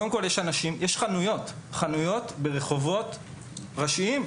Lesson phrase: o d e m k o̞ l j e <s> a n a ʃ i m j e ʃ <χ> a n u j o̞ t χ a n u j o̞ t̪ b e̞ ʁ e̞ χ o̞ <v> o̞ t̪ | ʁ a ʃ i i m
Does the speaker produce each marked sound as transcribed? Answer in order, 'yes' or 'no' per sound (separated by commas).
no, yes, yes